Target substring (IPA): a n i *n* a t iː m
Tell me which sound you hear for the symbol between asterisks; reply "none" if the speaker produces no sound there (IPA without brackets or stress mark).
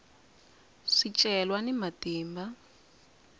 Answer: m